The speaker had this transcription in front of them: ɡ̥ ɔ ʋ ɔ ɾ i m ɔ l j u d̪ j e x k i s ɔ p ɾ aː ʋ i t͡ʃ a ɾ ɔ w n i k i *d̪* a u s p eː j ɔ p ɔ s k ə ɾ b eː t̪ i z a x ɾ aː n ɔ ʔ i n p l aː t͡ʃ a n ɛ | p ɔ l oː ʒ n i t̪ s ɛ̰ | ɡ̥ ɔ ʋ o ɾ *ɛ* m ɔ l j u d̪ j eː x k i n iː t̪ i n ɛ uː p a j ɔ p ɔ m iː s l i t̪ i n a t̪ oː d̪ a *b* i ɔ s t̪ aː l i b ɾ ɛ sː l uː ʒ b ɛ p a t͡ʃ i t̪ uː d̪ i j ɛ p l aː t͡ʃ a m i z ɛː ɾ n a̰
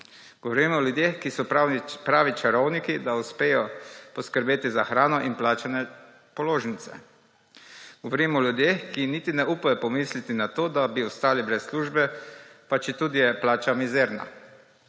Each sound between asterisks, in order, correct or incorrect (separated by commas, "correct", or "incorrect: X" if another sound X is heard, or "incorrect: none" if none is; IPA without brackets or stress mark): correct, incorrect: i, correct